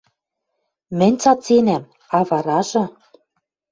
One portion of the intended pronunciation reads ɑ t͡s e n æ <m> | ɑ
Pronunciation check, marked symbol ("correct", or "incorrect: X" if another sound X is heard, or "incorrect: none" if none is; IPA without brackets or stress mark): correct